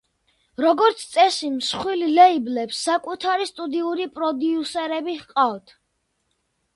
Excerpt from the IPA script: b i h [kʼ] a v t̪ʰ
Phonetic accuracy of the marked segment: incorrect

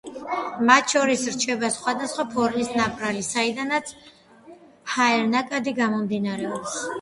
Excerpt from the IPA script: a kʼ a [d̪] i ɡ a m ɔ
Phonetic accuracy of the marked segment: correct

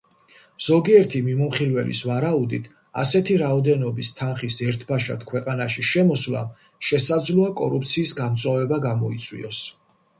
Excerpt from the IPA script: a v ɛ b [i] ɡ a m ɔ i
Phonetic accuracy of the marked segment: incorrect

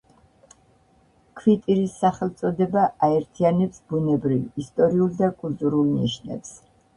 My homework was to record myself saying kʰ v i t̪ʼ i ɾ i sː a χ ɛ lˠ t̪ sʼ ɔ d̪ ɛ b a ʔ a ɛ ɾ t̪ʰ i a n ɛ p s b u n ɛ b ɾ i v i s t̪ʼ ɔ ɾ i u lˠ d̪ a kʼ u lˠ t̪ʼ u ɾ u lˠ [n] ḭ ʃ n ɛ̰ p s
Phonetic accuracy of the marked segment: correct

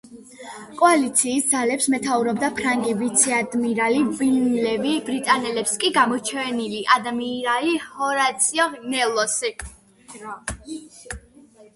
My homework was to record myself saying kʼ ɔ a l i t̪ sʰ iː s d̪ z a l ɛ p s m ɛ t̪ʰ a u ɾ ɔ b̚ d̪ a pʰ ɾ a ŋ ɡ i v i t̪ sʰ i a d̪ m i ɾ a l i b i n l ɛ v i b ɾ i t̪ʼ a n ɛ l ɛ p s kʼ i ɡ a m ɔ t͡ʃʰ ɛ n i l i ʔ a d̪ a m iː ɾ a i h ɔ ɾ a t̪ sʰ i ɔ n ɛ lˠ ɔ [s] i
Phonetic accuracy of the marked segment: correct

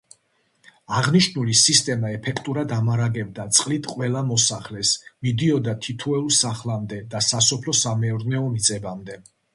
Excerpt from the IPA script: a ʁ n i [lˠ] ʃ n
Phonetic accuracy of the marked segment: incorrect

